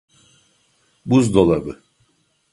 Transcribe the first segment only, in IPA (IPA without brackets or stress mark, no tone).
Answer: b